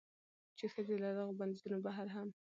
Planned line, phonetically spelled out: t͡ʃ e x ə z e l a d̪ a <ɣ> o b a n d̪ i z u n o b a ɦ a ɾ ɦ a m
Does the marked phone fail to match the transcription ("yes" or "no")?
no